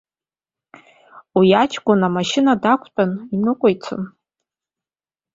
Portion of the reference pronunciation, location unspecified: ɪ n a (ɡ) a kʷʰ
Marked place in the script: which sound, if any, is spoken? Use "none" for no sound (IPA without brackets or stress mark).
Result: d